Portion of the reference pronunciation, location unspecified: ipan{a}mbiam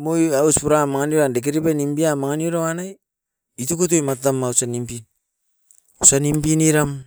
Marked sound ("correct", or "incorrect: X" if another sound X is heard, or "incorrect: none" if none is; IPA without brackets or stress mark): incorrect: i